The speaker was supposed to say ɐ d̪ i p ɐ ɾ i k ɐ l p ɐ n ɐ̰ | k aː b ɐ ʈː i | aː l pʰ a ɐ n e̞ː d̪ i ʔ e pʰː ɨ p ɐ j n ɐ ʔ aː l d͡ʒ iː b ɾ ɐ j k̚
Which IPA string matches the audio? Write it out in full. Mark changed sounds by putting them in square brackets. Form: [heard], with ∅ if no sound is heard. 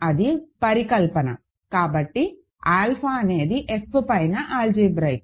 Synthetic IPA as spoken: ɐ d̪ i p ɐ ɾ i k ɐ l p ɐ n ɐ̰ | k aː b ɐ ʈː i | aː l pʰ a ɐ n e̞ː d̪ i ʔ e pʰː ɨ p ɐ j n ɐ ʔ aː l d͡ʒ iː b ɾ ɐ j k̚